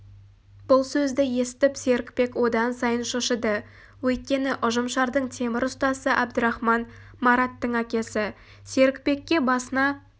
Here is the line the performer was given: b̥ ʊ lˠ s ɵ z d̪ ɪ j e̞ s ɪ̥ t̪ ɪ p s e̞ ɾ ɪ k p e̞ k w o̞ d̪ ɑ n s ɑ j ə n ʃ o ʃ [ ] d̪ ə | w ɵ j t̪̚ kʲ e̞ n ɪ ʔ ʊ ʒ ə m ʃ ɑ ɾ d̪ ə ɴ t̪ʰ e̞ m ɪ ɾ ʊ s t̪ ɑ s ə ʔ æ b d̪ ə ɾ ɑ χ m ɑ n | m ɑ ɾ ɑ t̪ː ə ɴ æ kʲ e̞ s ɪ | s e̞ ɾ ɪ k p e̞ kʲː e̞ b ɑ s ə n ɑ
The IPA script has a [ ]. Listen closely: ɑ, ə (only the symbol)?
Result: ə